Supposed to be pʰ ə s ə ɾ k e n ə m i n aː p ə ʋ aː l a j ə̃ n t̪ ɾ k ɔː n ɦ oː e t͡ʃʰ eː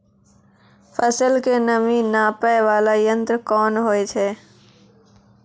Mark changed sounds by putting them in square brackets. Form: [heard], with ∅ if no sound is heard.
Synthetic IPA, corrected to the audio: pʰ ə s ə [l] k e n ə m i n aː p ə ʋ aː l a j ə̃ n t̪ ɾ k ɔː n ɦ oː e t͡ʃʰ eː